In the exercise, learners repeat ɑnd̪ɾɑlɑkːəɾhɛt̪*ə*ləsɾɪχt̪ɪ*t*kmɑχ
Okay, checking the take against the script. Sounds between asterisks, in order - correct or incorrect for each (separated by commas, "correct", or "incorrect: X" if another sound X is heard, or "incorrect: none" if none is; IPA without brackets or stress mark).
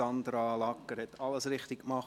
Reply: incorrect: ɑ, incorrect: k